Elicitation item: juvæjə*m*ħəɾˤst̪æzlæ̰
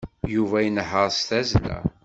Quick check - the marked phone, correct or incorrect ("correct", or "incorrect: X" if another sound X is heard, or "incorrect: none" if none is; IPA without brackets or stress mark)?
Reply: incorrect: n